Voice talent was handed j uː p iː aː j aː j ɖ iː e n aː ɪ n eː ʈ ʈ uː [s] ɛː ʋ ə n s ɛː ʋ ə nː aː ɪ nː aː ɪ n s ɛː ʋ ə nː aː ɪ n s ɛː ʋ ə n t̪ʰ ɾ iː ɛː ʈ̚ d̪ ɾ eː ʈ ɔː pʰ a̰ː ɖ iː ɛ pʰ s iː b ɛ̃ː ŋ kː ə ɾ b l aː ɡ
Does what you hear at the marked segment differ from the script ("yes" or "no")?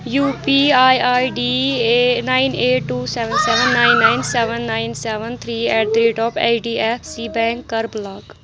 no